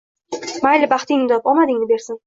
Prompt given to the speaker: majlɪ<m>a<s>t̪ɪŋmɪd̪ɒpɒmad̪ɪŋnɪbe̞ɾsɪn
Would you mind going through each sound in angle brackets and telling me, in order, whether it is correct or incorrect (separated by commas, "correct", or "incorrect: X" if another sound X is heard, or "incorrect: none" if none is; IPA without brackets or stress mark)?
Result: incorrect: b, incorrect: χ